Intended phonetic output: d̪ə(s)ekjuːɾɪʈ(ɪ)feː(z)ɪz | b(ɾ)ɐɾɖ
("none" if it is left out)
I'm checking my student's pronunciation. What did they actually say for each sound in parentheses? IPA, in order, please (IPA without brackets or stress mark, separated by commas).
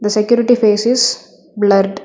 s, i, s, l